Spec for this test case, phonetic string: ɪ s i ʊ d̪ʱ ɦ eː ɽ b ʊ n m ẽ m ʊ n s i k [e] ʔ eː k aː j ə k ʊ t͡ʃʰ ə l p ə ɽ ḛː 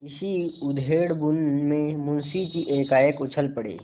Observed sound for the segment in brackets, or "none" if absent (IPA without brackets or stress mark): i